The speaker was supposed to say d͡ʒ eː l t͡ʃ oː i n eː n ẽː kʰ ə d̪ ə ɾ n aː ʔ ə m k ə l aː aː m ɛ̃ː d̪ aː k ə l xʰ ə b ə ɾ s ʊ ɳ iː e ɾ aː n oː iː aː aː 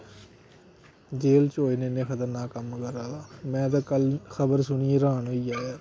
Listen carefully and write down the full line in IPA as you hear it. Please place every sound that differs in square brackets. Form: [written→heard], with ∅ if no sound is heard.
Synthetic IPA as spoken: d͡ʒ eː l t͡ʃ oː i n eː n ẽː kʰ ə [d̪→t̪] ə ɾ n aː [ʔ→k] ə m k ə [l→ɾ] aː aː m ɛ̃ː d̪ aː k ə l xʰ ə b ə ɾ s ʊ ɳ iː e ɾ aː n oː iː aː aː